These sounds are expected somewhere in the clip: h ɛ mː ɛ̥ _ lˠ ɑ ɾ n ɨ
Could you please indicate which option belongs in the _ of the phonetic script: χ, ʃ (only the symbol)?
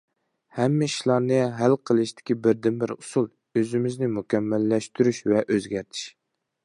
ʃ